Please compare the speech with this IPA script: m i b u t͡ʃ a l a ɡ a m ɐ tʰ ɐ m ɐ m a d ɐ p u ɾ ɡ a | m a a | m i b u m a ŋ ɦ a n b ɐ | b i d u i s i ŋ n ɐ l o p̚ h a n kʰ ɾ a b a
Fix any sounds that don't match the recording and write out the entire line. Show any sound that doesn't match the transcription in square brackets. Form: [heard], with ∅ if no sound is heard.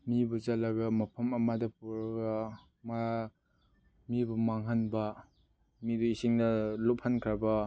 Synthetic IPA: m i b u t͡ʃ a l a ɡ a m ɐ [pʰ] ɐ m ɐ m a d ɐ p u ɾ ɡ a | m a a | m i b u m a ŋ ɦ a n b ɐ | [m] i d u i s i ŋ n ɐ l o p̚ h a n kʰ ɾ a b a